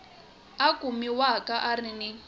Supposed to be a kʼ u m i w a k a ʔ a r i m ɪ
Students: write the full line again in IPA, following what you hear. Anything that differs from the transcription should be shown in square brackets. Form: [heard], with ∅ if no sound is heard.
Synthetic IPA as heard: a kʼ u m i w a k a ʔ a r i [n] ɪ